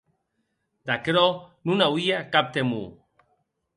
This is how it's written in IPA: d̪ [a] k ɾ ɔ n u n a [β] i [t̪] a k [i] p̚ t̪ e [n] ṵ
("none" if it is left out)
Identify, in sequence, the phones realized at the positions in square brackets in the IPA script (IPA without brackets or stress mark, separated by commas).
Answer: a, w, none, a, m